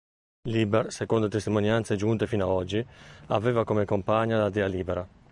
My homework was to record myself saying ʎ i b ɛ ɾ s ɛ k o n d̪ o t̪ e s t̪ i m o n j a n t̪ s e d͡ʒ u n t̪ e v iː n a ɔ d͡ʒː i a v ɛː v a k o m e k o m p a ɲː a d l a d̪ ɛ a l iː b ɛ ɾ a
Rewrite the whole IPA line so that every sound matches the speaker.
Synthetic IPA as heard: l i b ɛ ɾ s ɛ k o n d̪ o t̪ e s t̪ i m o n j a n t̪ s e d͡ʒ u n t̪ e f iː n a ɔ d͡ʒː i a v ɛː v a k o m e k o m p a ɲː a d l a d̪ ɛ a l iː b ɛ ɾ a

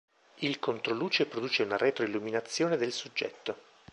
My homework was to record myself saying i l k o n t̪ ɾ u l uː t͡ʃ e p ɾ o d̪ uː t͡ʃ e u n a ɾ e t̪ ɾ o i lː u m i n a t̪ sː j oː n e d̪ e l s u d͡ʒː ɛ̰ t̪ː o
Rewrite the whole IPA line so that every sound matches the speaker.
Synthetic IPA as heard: i l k o n t̪ ɾ o l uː t͡ʃ e p ɾ o d̪ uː t͡ʃ e u n a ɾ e t̪ ɾ o i lː u m i n a t̪ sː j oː n e d̪ e l s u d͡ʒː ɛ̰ t̪ː o

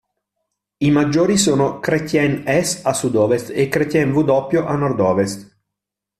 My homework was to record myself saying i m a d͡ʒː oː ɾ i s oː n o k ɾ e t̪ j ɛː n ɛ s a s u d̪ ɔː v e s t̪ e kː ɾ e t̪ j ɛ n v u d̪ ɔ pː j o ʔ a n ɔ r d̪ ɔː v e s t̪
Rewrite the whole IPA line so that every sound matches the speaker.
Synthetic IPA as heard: i m a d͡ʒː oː ɾ i s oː n o k ɾ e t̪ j ɛ n ɛ s a s u d̪ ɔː v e s t̪ e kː ɾ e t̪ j ɛ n v u d̪ ɔ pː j o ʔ a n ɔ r d̪ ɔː v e s t̪

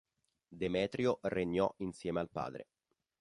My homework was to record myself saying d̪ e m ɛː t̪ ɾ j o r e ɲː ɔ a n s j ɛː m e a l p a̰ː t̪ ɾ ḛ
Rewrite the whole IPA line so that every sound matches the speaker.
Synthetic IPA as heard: d̪ e m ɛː t̪ ɾ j o r e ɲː ɔ i n s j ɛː m e a l p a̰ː d̪ ɾ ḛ

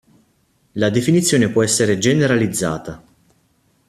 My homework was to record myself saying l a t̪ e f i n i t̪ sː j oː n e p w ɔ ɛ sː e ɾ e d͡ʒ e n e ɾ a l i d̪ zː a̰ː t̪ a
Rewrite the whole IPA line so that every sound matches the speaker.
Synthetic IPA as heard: l a d̪ e f i n i t̪ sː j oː n e p w ɔ ɛ sː e ɾ e d͡ʒ e n e ɾ a l i d̪ zː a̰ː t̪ a

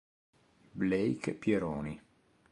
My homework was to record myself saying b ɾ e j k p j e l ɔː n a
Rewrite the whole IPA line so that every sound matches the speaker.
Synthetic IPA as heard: b l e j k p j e ɾ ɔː n i

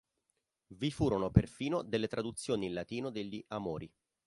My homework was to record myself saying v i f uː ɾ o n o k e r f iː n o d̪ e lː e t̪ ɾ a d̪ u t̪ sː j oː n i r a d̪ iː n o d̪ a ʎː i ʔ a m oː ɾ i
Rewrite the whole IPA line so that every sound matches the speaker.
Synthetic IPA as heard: v i f uː ɾ o n o p e r f iː n o d̪ e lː e t̪ ɾ a d̪ u t̪ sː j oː n i l a t̪ iː n o d̪ e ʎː i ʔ a m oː ɾ i

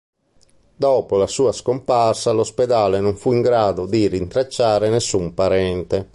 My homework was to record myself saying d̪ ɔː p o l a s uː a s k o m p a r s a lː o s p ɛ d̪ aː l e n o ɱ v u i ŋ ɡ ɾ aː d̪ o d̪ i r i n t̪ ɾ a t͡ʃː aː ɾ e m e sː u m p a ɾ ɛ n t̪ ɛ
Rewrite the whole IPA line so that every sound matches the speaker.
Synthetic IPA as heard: d̪ ɔː p o l a s uː a s k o m p a r s a l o s p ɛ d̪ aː l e n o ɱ f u i ŋ ɡ ɾ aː d̪ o d̪ i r i n t̪ ɾ a t͡ʃː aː ɾ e n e sː u m p a ɾ ɛ n t̪ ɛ

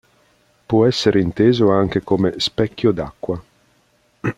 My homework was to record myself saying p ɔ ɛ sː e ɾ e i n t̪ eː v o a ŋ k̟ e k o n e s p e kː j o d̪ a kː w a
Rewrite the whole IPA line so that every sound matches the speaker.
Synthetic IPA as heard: p ɔ ɛ sː e ɾ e i n t̪ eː z o a ŋ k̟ e k o m e s p ɛ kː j o d̪ a kː w a

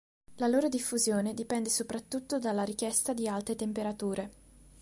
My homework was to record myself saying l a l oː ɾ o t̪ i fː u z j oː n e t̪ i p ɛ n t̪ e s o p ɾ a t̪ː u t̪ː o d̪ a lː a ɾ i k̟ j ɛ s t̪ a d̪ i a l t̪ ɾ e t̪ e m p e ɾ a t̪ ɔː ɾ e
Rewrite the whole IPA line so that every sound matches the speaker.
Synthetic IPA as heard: l a l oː ɾ o d̪ i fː u z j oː n e d̪ i p ɛ n d̪ e s o p ɾ a t̪ː u t̪ː o d̪ a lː a ɾ i k̟ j ɛ s t̪ a d̪ i a l t̪ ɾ e t̪ e m p e ɾ a t̪ uː ɾ e

